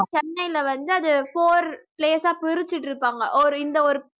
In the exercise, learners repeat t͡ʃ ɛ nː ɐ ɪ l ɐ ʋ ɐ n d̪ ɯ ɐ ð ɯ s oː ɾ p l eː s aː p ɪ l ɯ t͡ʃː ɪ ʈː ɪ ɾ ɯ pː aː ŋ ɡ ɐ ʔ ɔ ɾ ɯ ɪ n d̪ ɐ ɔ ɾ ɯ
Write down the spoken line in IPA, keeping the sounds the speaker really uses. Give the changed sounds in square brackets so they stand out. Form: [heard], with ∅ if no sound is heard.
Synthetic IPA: t͡ʃ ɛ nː ɐ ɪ l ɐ ʋ ɐ n d̪ ɯ ɐ ð ɯ [f] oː ɾ p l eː s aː p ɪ [ɾ] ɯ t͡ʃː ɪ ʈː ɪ ɾ ɯ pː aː ŋ ɡ ɐ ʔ ɔ ɾ ɯ ɪ n d̪ ɐ ɔ ɾ ɯ